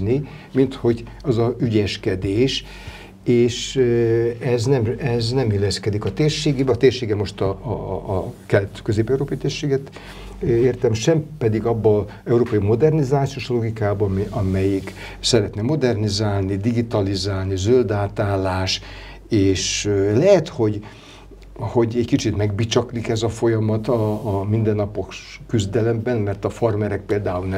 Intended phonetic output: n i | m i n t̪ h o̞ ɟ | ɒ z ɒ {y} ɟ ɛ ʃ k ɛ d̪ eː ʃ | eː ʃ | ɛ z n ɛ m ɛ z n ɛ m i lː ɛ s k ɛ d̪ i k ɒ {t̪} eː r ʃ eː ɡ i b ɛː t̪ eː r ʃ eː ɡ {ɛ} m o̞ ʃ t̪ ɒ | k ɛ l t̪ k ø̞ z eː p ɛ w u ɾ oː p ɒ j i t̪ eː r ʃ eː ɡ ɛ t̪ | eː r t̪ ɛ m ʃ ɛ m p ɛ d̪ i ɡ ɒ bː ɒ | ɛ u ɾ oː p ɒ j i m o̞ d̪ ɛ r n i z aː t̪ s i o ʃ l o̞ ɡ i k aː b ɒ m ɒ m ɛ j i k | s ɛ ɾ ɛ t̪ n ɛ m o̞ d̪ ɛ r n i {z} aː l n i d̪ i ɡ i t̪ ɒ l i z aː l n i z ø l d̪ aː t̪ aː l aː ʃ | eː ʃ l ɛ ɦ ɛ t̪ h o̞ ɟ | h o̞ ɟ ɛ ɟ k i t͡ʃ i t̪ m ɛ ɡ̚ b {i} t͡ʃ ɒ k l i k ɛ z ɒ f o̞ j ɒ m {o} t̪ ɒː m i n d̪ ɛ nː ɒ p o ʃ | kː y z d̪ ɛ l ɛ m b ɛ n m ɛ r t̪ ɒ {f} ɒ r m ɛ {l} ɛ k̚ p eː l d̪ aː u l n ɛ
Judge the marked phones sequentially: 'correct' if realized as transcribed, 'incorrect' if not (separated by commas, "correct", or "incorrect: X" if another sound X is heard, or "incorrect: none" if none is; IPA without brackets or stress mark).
correct, correct, correct, correct, correct, incorrect: ɒ, correct, incorrect: ɾ